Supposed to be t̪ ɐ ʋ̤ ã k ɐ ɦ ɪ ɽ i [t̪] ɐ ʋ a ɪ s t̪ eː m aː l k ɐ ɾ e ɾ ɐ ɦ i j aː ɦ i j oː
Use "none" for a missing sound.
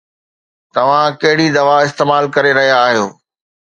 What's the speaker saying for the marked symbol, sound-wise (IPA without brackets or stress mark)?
d̪